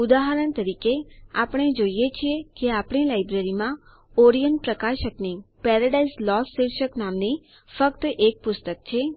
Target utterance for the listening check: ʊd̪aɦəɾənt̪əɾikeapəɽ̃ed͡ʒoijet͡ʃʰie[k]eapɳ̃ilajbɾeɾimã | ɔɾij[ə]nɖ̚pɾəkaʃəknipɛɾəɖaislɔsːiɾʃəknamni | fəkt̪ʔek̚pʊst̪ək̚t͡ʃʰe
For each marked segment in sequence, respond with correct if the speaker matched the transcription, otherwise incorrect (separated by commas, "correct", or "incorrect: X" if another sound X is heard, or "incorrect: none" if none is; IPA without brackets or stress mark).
correct, correct